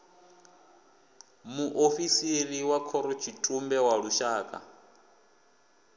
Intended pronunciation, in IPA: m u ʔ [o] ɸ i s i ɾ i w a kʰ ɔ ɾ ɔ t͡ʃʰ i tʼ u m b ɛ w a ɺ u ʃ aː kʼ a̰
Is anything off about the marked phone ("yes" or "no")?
no